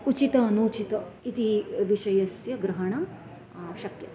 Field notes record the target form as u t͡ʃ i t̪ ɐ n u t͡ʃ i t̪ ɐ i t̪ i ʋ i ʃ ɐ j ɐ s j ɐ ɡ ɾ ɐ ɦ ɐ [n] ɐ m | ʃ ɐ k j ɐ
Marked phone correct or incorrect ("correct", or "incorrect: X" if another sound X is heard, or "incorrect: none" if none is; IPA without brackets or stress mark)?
incorrect: ɳ